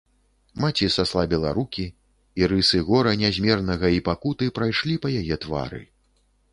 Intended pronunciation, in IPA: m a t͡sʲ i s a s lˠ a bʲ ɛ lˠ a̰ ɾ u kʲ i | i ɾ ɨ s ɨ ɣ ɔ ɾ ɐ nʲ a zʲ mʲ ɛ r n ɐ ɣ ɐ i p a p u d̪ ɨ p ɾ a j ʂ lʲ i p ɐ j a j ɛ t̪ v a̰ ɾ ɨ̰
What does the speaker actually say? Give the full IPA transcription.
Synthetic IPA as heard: m a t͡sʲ i s a s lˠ a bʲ ɛ lˠ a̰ ɾ u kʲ i | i ɾ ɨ s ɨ ɣ ɔ ɾ ɐ nʲ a zʲ mʲ ɛ r n ɐ ɣ ɐ i p a k u t̪ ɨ p ɾ a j ʂ lʲ i p ɐ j a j ɛ t̪ v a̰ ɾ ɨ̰